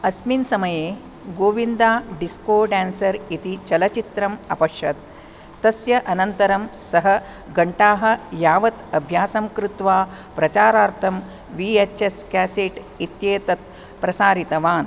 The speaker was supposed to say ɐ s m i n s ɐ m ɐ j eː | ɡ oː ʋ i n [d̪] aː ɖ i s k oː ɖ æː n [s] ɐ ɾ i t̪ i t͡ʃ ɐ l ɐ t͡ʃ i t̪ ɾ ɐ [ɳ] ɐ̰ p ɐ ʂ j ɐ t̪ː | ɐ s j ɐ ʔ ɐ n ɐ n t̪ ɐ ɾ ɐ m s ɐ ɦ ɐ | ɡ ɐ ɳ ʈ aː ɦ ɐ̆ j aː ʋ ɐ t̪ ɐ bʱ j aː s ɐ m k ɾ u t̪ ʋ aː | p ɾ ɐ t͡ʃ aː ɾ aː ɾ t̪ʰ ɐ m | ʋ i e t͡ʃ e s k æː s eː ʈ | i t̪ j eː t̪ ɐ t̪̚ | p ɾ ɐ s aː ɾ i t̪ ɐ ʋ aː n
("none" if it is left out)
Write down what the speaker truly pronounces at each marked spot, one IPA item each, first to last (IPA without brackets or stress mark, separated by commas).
d̪, s, m